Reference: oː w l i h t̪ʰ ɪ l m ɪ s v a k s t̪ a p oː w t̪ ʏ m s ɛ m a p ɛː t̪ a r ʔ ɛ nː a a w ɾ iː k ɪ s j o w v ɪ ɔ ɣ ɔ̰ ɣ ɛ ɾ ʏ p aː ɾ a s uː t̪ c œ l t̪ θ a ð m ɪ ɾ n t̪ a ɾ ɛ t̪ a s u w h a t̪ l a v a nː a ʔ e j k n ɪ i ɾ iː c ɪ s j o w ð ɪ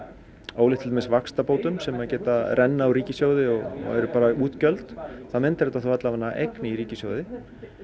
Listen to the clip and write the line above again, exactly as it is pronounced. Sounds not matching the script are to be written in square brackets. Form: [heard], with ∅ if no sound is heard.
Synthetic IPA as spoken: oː w l [ɪ] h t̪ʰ ɪ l m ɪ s v a k s t̪ a p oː w t̪ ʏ m s ɛ m a [c] ɛː t̪ a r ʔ ɛ nː a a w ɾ iː [c] ɪ s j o w [ð] ɪ ɔ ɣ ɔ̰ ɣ ɛ ɾ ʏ p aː ɾ a [∅] uː t̪ c œ l t̪ θ a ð m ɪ [∅] n t̪ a ɾ ɛ t̪ a [θ] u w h a t̪ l a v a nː a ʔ e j k n ɪ i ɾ iː c ɪ s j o w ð ɪ